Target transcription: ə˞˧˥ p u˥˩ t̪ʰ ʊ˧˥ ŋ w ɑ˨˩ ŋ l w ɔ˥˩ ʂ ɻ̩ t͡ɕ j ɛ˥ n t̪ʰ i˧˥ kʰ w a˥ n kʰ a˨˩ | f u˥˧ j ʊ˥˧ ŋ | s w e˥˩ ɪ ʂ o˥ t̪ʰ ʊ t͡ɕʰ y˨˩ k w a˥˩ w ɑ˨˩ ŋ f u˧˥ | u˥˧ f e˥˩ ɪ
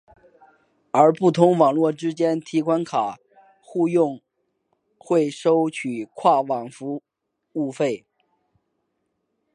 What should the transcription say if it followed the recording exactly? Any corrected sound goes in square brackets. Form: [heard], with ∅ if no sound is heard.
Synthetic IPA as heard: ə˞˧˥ p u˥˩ t̪ʰ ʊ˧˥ ŋ w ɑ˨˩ ŋ l w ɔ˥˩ [ʈ͡ʂ] ɻ̩ t͡ɕ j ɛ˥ n t̪ʰ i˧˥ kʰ w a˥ n kʰ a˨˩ | [x] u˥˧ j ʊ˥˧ ŋ | [x] w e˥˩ ɪ ʂ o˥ [∅] ʊ t͡ɕʰ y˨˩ [kʰ] w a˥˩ w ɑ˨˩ ŋ f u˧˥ | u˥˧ f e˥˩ ɪ